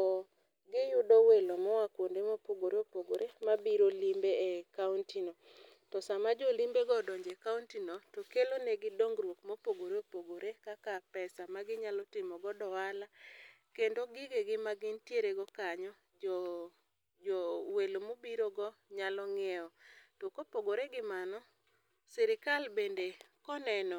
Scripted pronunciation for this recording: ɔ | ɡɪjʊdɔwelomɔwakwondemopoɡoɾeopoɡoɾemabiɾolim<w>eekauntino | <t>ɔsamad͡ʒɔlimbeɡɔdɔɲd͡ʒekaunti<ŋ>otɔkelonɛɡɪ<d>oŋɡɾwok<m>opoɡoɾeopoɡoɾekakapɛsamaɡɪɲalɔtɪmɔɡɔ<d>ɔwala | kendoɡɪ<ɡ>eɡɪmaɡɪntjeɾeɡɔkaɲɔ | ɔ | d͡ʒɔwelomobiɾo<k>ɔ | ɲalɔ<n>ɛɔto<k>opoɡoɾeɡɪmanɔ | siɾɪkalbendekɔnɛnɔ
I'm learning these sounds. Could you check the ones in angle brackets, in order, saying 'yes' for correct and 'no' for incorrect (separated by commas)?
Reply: no, yes, no, yes, yes, yes, yes, no, no, yes